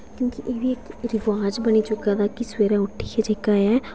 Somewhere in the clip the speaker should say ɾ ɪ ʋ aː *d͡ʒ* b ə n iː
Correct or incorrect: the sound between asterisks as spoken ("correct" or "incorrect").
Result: correct